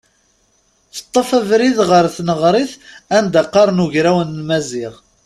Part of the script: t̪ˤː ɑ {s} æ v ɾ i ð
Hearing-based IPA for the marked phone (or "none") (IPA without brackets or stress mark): f